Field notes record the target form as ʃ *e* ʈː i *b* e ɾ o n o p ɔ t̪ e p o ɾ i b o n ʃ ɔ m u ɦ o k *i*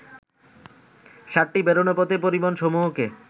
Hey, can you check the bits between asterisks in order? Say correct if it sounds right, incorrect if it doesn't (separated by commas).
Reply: incorrect, correct, incorrect